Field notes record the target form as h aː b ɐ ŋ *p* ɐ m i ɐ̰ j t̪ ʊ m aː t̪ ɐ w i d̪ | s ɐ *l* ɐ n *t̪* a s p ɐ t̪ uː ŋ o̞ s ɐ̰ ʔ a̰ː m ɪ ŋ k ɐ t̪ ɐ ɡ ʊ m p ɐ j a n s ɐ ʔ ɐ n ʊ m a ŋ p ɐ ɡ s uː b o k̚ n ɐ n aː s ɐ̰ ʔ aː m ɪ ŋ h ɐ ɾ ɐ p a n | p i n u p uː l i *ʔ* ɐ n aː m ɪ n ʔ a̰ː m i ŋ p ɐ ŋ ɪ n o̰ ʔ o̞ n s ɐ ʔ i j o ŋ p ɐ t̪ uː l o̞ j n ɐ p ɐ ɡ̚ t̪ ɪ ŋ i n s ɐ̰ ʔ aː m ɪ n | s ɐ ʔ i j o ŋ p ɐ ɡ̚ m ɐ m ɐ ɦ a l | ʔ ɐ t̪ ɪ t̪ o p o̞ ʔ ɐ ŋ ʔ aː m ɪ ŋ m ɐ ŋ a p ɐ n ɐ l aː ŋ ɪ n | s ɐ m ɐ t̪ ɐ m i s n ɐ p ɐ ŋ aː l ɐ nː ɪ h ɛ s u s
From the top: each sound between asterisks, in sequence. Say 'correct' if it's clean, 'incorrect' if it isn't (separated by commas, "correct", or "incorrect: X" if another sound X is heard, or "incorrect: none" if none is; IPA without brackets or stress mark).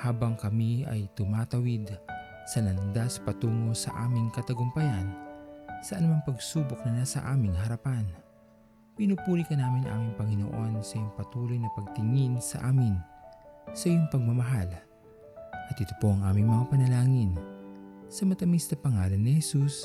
incorrect: k, correct, incorrect: d̪, incorrect: k